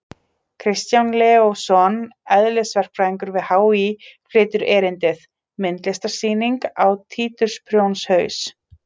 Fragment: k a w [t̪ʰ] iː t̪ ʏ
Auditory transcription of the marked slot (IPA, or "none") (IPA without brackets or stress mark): t̪ʰ